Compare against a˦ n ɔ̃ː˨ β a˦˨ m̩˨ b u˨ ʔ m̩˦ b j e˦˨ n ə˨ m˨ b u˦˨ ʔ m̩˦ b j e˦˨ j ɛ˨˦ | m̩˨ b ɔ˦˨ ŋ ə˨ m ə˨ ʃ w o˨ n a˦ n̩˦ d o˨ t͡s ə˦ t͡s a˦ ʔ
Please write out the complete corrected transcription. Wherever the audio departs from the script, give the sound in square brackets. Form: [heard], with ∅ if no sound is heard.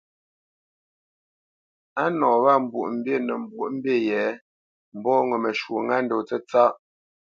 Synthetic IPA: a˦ n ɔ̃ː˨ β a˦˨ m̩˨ b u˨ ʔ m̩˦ b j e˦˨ n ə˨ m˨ b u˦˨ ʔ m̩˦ b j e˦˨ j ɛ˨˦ | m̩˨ b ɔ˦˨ ŋ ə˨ m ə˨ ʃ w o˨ [ŋ] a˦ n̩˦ d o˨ t͡s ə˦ t͡s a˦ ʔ